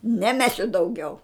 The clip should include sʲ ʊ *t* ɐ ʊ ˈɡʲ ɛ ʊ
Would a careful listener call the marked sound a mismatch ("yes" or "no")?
yes